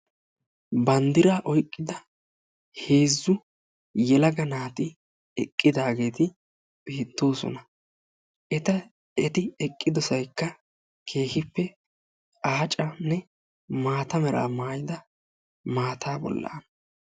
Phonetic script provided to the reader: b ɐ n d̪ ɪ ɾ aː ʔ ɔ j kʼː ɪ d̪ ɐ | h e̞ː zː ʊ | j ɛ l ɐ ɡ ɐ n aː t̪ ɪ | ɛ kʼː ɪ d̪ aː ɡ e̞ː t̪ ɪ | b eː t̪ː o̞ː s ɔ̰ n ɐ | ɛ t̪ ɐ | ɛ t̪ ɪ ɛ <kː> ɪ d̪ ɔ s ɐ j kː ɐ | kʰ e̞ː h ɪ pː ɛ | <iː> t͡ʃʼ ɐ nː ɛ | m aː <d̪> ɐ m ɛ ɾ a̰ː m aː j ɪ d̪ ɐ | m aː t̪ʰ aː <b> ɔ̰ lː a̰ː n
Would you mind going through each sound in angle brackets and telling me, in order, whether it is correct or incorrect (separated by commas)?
incorrect, incorrect, incorrect, correct